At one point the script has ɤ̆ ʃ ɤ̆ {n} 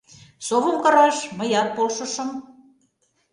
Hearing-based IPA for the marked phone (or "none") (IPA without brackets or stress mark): m